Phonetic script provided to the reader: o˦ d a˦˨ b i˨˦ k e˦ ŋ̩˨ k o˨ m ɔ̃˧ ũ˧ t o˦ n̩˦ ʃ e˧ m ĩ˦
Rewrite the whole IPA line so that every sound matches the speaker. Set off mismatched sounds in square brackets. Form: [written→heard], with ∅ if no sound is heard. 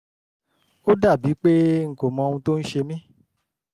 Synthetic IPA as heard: o˦ d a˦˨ b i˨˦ [k→k͡p] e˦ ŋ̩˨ k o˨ m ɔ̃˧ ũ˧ t o˦ n̩˦ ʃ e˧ m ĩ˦